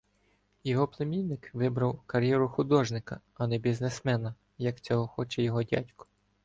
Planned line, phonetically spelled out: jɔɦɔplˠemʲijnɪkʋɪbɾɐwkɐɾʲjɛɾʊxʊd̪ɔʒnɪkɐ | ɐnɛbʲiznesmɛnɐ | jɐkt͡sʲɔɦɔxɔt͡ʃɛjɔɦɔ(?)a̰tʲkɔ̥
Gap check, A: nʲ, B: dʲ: B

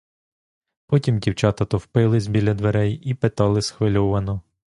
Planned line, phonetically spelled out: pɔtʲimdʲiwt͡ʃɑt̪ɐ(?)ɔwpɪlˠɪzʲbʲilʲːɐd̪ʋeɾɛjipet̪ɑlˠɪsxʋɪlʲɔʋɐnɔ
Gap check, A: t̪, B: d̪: A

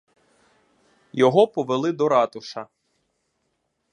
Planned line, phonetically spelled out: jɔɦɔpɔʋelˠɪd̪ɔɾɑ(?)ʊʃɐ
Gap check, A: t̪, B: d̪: A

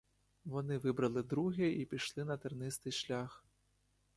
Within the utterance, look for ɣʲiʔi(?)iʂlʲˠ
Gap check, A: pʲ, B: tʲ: A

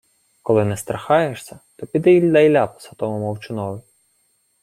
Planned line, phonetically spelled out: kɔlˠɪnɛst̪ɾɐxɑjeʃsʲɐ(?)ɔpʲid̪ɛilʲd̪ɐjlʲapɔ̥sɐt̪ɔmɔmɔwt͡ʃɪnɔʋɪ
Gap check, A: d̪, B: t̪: B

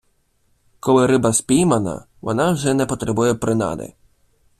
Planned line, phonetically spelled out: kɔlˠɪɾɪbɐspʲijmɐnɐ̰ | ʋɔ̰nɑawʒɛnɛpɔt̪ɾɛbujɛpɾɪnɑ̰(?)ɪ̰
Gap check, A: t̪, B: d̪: B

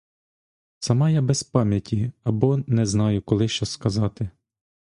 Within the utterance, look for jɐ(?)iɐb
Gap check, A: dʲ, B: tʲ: B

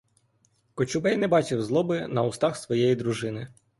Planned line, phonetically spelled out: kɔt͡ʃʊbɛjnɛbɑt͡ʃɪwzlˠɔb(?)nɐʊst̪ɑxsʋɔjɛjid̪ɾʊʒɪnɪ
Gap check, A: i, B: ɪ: B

